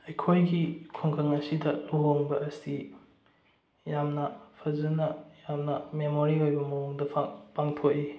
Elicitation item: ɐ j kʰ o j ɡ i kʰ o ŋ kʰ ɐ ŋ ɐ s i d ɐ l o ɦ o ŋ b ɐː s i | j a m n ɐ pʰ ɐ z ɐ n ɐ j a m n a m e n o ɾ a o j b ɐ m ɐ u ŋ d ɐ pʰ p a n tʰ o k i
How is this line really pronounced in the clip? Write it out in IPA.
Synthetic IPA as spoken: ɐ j kʰ o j ɡ i kʰ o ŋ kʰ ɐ ŋ ɐ s i d ɐ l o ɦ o ŋ b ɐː s i | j a m n ɐ pʰ ɐ z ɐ n ɐ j a m n ɐ m e m o ɾ i o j b ɐ m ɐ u ŋ d ɐ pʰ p a ŋ tʰ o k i